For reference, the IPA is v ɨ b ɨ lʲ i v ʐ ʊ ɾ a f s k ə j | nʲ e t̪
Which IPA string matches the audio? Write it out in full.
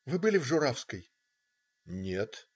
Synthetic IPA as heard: v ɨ b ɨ lʲ ɪ v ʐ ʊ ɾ a f s k ə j | nʲ e t̪